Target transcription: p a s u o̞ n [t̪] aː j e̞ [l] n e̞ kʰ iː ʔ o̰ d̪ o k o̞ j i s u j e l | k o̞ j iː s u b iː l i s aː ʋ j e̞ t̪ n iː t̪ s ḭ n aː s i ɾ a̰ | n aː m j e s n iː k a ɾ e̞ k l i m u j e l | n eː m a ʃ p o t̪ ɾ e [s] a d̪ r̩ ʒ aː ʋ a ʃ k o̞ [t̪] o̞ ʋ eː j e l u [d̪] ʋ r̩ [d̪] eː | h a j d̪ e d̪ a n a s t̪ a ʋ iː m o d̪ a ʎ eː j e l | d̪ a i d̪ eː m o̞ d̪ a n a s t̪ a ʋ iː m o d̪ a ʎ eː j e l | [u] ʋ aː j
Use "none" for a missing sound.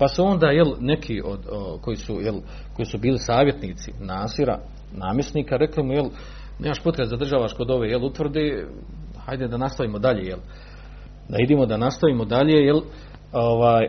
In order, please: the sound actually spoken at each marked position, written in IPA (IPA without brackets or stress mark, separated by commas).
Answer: d̪, l, z, d̪, t̪, d̪, o